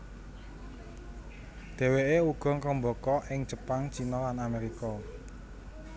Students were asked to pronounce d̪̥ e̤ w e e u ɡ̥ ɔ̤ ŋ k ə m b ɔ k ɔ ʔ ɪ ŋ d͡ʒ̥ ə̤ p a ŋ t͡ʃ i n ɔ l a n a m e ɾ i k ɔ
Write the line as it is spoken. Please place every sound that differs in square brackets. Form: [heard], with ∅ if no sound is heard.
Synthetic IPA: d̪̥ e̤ w e e u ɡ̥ ɔ̤ ŋ k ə m b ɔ k ɔ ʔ ɪ ŋ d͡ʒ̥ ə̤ p a ŋ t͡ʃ i n ɔ l a n a m e ɾ i k ɔ